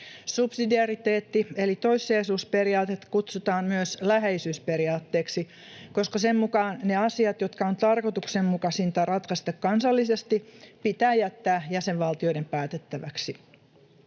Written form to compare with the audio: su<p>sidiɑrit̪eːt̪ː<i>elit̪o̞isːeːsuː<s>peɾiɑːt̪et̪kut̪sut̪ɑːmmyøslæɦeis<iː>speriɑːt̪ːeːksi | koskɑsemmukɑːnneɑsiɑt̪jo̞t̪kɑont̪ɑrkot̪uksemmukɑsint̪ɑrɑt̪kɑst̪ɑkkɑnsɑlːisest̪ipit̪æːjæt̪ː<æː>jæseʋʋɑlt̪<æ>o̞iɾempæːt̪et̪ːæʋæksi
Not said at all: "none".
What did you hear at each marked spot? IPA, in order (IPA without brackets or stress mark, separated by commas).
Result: p, i, s, yː, æː, i